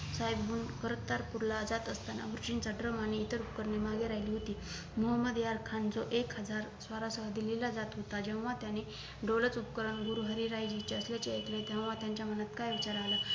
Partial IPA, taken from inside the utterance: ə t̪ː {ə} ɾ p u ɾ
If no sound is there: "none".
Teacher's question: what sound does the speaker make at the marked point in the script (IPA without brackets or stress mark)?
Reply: a